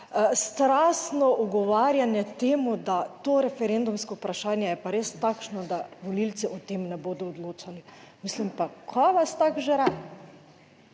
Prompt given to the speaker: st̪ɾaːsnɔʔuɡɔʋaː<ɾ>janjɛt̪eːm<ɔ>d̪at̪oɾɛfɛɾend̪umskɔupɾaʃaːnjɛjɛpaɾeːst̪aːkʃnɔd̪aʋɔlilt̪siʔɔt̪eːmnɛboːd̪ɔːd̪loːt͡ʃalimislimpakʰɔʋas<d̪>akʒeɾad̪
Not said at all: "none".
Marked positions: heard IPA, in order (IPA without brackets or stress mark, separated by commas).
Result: ɾ, u, t̪